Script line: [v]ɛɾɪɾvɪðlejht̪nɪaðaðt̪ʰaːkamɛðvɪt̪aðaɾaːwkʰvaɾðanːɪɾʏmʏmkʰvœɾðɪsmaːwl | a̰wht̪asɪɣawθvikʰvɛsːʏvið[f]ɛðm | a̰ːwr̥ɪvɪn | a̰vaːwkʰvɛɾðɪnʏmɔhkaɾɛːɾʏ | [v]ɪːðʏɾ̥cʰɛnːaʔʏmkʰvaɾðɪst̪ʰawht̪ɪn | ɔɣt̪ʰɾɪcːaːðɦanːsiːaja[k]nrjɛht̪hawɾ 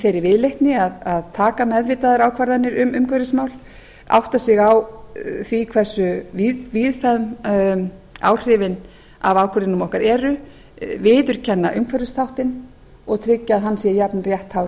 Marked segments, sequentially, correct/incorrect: incorrect, correct, correct, incorrect

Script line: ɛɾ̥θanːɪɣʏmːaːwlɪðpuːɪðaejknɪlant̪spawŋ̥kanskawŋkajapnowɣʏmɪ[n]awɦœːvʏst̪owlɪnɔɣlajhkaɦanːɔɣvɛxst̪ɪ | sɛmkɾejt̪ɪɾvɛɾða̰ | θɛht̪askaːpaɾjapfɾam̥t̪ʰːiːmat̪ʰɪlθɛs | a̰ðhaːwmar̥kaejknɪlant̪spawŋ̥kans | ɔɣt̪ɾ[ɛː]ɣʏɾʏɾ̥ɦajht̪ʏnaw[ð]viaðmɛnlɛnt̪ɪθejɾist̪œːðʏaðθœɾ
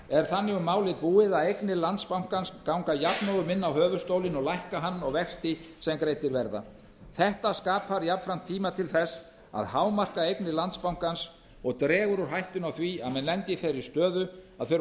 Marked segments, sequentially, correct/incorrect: incorrect, correct, incorrect

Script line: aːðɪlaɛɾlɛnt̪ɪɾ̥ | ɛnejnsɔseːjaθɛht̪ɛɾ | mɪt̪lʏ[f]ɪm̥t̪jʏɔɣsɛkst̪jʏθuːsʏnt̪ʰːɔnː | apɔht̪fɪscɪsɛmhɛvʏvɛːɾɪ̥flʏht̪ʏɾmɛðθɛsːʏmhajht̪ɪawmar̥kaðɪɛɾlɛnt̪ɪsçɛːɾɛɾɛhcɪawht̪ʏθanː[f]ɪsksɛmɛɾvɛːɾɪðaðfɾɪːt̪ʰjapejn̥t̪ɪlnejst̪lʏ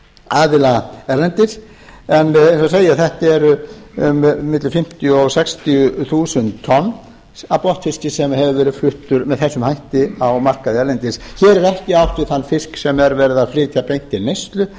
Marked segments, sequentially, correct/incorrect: correct, correct

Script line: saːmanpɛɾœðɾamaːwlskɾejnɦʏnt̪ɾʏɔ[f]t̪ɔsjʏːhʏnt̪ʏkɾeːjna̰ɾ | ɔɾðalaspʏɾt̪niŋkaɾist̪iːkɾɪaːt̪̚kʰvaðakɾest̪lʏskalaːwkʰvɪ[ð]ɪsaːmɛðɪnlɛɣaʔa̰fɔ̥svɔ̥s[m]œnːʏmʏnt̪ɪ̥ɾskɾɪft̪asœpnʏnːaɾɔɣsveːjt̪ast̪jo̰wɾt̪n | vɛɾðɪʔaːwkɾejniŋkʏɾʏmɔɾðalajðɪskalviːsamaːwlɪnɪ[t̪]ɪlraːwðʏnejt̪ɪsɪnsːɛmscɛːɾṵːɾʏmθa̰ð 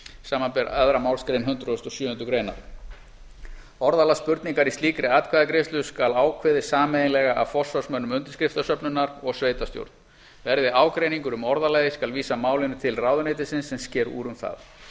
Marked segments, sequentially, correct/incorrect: incorrect, correct, correct, incorrect

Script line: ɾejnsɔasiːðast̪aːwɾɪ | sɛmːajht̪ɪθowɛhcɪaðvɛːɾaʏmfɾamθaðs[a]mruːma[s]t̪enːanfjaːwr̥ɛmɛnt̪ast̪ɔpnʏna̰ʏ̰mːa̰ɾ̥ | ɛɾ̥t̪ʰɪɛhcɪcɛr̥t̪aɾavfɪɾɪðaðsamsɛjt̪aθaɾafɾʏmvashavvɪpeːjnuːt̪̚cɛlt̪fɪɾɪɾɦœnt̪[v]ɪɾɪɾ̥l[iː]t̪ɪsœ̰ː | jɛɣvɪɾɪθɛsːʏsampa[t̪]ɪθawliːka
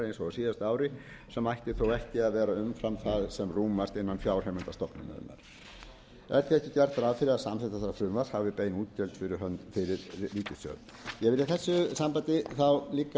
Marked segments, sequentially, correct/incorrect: incorrect, correct, incorrect, correct, correct

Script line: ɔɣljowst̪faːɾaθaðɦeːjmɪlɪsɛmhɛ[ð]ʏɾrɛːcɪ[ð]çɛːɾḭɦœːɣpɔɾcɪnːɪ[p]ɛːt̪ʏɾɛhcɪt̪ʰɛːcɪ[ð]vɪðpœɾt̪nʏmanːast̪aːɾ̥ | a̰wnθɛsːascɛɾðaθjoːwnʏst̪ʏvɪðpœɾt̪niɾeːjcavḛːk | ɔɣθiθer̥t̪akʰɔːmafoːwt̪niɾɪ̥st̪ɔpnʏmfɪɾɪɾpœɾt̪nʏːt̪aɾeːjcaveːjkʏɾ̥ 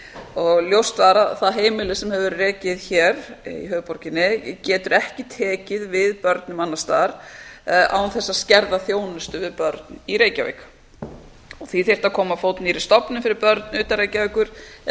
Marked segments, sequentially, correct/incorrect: incorrect, correct, incorrect, correct

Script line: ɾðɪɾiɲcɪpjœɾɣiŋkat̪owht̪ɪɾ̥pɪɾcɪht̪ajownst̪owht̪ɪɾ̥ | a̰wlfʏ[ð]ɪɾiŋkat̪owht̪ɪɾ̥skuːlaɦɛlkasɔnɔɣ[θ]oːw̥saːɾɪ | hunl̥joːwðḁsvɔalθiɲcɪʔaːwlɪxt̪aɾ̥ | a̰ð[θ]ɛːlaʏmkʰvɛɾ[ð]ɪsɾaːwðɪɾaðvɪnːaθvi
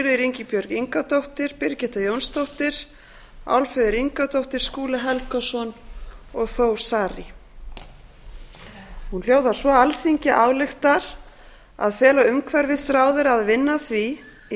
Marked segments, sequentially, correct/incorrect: correct, correct, incorrect, incorrect

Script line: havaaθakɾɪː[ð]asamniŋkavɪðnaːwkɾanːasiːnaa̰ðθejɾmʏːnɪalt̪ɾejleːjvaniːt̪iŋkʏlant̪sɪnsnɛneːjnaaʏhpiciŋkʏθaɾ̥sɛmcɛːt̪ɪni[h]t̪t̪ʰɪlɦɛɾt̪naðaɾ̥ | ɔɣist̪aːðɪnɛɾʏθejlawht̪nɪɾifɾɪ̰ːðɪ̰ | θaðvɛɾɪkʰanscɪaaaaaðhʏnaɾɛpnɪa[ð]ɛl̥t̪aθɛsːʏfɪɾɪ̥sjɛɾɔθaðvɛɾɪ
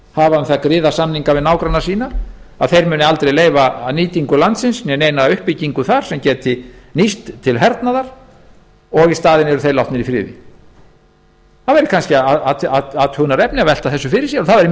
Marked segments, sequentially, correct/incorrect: correct, incorrect, incorrect

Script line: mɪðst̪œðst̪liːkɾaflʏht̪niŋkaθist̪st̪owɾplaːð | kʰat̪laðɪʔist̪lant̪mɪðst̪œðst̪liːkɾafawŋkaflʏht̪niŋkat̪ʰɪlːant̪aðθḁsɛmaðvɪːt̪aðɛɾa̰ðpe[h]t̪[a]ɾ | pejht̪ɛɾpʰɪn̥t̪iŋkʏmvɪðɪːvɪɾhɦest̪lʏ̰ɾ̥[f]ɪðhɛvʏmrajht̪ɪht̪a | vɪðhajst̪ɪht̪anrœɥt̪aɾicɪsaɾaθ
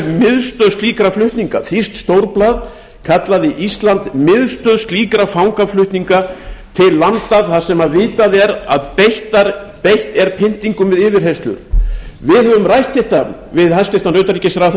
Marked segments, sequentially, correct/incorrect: correct, correct, incorrect

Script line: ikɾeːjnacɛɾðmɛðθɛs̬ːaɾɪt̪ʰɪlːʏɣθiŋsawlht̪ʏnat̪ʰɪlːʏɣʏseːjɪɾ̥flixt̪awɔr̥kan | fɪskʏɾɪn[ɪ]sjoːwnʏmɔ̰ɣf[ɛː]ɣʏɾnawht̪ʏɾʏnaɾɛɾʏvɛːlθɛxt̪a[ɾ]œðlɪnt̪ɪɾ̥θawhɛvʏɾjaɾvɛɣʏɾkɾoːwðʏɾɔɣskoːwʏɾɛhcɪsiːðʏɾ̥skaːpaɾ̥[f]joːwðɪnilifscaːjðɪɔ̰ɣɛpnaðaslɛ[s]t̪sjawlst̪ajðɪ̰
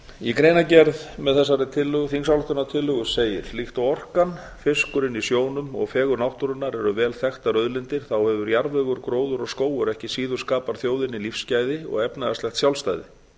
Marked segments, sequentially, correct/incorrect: incorrect, correct, correct, incorrect, incorrect

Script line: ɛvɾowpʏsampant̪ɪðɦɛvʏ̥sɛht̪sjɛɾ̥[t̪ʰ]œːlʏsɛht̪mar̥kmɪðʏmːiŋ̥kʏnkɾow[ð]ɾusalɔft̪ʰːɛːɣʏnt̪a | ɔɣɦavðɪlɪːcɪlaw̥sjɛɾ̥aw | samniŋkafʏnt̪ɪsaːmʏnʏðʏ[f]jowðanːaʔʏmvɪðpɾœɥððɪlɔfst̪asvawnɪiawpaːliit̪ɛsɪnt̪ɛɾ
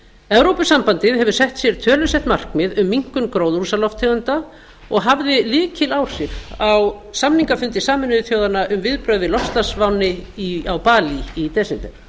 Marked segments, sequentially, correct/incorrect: correct, correct, incorrect

